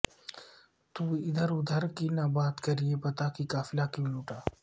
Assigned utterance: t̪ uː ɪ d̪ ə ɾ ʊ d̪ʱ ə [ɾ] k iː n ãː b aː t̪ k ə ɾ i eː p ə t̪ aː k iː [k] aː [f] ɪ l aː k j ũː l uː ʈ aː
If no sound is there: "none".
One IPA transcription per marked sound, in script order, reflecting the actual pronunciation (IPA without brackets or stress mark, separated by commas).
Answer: ɾ, k, f